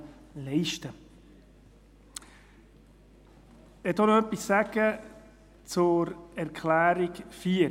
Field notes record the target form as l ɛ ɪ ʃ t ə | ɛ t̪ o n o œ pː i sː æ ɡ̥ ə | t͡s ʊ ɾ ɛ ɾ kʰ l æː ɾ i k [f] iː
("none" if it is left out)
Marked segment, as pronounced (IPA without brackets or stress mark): f